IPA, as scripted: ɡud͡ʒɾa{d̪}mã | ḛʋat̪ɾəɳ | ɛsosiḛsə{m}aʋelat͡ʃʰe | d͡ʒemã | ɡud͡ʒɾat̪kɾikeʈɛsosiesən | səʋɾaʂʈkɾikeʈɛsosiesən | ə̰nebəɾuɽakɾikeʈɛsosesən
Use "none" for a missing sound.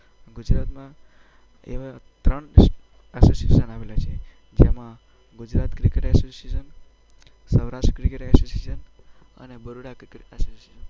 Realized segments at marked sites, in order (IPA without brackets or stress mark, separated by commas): t̪, n